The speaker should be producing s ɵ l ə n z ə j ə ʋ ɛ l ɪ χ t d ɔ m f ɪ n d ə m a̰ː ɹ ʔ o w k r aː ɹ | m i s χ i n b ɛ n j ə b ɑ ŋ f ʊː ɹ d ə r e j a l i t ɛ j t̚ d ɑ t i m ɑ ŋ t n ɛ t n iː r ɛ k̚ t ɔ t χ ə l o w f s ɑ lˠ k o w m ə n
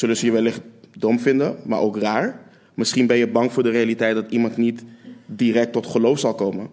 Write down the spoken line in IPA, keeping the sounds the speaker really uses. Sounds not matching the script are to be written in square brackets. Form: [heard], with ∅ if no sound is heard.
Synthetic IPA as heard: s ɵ l ə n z ə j ə ʋ ɛ l ɪ χ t d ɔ m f ɪ n d ə m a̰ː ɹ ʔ o w k r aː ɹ | m [ɪ] s χ i n b ɛ n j ə b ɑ ŋ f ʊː ɹ d ə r e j a l i t ɛ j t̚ d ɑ t i m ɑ [n] t n [i] t [d] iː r ɛ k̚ t ɔ t χ ə l o w f s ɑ lˠ k o w m ə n